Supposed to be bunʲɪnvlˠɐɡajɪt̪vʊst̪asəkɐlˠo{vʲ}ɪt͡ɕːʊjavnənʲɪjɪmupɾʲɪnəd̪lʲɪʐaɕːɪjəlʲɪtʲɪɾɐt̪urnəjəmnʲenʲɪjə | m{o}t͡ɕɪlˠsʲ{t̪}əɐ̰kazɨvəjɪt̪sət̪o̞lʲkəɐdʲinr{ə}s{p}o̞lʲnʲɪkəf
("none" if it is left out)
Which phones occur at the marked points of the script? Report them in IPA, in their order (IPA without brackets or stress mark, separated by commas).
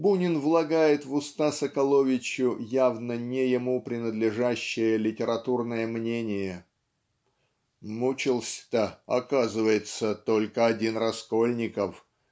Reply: vʲ, u, t̪, ɐ, k